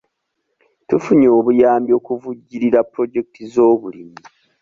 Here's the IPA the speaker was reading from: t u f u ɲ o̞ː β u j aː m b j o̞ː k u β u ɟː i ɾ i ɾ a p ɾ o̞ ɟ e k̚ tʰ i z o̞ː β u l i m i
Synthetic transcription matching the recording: t u f u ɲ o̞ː β u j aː m b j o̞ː k u v u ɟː i ɾ i ɾ a p ɾ o̞ ɟ e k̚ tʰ i z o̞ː β u l i m i